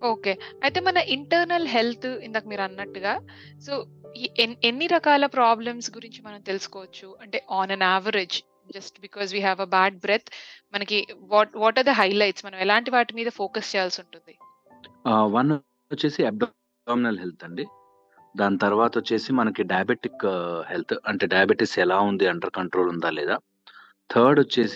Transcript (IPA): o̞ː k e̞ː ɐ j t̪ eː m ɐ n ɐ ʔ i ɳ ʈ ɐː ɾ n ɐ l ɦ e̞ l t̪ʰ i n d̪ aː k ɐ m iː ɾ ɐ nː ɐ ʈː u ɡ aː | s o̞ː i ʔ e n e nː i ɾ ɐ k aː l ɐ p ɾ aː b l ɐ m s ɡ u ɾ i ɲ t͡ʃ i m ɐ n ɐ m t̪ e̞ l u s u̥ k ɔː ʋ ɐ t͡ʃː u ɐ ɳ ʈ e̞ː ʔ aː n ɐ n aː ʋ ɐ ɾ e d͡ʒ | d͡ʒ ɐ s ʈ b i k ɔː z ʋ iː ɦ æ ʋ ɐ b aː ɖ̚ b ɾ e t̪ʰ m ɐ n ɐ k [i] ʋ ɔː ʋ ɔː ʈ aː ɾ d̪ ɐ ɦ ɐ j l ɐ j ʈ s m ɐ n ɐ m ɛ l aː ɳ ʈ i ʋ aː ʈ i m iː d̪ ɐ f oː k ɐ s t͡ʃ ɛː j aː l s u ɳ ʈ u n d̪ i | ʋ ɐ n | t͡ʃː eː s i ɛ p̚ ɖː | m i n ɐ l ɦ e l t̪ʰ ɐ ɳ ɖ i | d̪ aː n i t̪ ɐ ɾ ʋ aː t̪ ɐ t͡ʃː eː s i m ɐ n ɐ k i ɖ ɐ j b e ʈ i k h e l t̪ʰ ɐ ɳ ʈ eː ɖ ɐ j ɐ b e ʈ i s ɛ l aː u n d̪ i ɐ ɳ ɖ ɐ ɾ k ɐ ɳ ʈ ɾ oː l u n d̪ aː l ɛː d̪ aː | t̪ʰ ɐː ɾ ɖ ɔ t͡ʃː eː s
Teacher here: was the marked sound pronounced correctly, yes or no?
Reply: yes